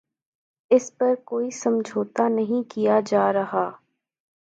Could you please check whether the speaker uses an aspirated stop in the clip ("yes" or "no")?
no